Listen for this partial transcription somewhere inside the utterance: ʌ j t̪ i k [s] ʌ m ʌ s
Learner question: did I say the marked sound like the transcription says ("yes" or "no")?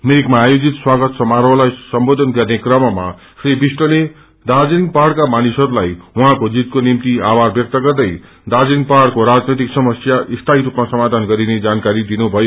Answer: yes